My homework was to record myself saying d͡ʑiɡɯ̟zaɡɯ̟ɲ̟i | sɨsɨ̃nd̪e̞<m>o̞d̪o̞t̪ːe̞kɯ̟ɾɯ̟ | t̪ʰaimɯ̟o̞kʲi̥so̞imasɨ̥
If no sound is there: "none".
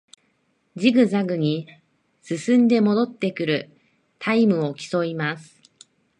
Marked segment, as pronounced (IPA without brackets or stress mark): m